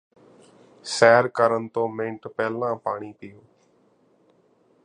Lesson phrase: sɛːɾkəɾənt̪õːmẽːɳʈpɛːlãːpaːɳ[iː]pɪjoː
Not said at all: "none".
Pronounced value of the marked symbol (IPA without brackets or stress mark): iː